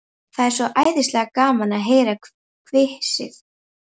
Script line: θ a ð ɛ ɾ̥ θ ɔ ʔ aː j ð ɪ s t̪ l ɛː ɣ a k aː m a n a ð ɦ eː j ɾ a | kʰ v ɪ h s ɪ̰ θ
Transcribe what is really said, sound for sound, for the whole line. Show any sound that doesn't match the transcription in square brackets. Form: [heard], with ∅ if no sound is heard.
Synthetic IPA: θ a ð ɛ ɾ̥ [s] ɔ ʔ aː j ð ɪ s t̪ l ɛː ɣ a k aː m a n a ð ɦ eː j ɾ a | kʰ v ɪ h s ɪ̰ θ

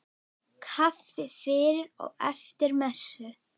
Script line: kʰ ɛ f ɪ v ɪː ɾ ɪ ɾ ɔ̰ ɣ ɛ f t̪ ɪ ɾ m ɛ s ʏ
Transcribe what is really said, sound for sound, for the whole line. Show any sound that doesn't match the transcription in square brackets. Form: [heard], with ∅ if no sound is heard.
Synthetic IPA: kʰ [a] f ɪ [f] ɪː ɾ ɪ ɾ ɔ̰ ɣ ɛ f t̪ ɪ ɾ m ɛ s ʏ

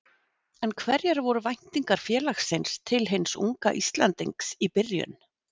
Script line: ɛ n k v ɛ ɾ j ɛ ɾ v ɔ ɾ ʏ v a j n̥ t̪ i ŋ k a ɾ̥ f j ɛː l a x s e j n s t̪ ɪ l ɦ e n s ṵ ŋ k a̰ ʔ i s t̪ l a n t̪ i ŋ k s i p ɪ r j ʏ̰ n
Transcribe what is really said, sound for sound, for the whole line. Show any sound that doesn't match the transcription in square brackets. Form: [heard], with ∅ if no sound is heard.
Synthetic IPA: ɛ n [kʰ] v ɛ ɾ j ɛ ɾ v ɔ ɾ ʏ v a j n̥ t̪ i ŋ k a ɾ̥ f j ɛː l a x s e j n s [t̪ʰ] ɪ l ɦ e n s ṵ ŋ k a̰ ʔ i s t̪ l a n t̪ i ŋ k s i p ɪ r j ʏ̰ n

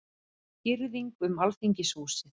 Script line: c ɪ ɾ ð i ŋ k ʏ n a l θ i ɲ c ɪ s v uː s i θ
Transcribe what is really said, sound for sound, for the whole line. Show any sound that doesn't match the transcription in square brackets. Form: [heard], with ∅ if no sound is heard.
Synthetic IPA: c ɪ ɾ ð i ŋ k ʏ [m] a l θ i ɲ c ɪ s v uː s [ɪ] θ

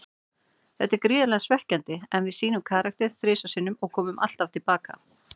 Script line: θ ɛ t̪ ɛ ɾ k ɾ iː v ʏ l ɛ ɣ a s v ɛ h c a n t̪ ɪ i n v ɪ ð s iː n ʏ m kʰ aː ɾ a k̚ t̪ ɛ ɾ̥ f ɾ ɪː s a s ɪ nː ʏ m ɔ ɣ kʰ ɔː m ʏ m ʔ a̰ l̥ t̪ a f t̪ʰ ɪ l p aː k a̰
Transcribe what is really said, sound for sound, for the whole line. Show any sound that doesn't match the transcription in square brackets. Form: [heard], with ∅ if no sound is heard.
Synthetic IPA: θ ɛ t̪ ɛ ɾ k ɾ iː [ð] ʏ l ɛ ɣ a s v ɛ h c a n t̪ ɪ [ɛ] n v ɪ ð s iː n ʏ m kʰ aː ɾ a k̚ t̪ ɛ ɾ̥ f ɾ ɪː s a s ɪ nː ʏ m ɔ ɣ kʰ ɔː m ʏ m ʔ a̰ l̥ t̪ a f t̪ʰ ɪ l p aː k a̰

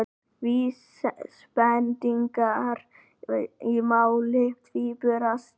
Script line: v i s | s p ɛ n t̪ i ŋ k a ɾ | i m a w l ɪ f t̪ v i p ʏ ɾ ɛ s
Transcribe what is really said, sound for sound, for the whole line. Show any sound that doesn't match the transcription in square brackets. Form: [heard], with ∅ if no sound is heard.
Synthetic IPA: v i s | s p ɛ n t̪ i ŋ k a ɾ | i m a w l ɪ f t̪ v i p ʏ ɾ [a] s

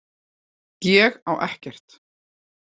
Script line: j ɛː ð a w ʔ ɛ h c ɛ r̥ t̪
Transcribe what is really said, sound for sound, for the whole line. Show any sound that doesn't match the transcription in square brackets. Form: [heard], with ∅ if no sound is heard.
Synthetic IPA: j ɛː [ɣ] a w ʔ ɛ h c ɛ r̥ t̪

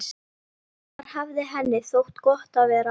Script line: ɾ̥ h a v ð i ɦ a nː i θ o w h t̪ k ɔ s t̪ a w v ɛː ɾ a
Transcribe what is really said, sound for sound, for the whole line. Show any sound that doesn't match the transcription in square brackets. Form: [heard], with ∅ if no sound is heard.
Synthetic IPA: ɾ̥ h a v ð [ɪ] ɦ [ɛ] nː [ɪ] θ o w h t̪ k ɔ [h] t̪ a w v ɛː ɾ a

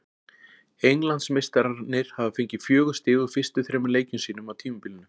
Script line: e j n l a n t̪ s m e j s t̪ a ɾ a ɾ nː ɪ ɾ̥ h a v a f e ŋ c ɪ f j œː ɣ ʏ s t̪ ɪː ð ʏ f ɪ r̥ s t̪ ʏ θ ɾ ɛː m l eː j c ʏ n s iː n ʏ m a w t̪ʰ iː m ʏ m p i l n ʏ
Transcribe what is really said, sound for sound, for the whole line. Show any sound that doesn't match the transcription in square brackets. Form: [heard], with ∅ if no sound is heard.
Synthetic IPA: e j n l a n t̪ s m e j s t̪ a ɾ a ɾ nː ɪ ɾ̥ h a v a f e [ɲ] c ɪ f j œː ɣ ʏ s t̪ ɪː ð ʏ f ɪ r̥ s t̪ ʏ θ ɾ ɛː m l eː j c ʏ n s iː n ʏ m a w t̪ʰ iː m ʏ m p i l n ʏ

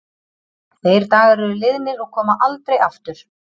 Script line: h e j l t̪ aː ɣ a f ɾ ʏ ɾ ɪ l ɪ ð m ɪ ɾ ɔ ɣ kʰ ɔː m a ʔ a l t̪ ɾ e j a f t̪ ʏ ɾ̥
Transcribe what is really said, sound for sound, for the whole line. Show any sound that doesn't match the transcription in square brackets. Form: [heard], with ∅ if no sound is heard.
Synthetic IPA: [θ] e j [ɾ] t̪ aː ɣ a [∅] ɾ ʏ ɾ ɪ l ɪ ð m ɪ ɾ ɔ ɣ kʰ ɔː m a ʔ a l t̪ ɾ e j a f t̪ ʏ ɾ̥

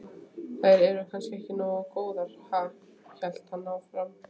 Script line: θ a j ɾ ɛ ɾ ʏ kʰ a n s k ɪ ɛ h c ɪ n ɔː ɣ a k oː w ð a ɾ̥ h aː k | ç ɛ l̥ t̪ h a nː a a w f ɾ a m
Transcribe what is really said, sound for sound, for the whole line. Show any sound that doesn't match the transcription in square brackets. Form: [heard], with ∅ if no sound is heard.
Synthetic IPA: θ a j ɾ ɛ ɾ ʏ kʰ a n s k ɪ ɛ h c ɪ n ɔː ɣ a k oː w ð a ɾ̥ h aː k | ç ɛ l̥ t̪ h a nː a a w f ɾ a m

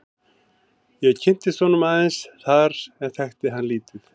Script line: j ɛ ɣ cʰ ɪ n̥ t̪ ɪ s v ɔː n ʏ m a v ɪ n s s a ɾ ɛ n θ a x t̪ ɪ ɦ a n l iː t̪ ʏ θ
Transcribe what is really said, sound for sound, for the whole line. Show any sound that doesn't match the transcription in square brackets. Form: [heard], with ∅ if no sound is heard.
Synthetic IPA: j ɛ ɣ cʰ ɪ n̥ t̪ ɪ s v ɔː n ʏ m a [ð] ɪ n s [θ] a ɾ ɛ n θ [ɛ] x t̪ ɪ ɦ a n l iː t̪ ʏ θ

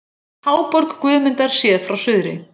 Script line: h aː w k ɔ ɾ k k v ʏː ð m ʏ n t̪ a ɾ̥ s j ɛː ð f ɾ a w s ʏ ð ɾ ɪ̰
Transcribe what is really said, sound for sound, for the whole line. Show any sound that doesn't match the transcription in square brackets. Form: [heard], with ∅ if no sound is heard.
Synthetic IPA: h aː w [p] ɔ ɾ k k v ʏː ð m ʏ n t̪ a ɾ̥ s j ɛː ð f ɾ a w s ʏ ð ɾ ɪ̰

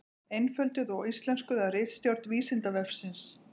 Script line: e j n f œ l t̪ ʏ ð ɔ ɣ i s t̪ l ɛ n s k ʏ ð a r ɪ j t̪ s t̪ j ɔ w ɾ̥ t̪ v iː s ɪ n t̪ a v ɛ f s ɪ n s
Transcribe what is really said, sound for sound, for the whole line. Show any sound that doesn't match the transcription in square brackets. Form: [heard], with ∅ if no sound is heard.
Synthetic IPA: e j n f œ l t̪ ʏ ð ɔ ɣ i s t̪ l ɛ n s k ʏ ð a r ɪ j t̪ s t̪ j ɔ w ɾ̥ t̪ v iː s ɪ n t̪ a v ɛ f s ɪ n s

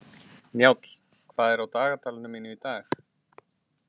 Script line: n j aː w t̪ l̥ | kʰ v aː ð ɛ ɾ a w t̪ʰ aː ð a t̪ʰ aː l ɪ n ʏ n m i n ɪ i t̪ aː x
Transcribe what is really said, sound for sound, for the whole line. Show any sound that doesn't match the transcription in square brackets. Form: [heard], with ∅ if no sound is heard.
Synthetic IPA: n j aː w t̪ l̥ | kʰ v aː ð ɛ ɾ a w [t̪] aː [ɣ] a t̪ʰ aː l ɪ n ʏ [∅] m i n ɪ i t̪ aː x

